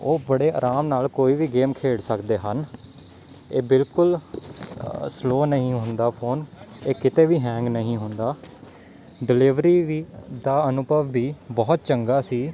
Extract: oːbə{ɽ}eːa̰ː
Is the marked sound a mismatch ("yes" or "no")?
no